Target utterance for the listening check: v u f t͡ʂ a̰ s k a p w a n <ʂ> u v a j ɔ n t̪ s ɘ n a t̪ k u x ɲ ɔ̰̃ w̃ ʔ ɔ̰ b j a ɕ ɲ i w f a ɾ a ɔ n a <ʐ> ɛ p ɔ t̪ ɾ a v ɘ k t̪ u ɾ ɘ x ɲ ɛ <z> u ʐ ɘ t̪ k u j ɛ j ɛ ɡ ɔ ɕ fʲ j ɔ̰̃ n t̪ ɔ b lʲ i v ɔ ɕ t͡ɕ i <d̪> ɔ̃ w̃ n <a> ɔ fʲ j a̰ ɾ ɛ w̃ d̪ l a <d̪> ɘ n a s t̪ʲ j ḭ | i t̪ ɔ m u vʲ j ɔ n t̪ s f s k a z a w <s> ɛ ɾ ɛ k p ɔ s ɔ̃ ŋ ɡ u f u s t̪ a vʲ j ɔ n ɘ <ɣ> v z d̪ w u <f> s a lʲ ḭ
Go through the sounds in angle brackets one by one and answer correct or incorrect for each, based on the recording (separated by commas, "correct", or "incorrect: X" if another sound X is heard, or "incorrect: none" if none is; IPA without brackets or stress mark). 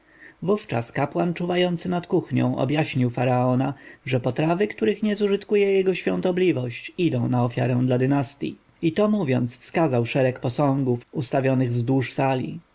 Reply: incorrect: t͡ʂ, correct, correct, correct, correct, correct, incorrect: ʂ, correct, incorrect: ʂ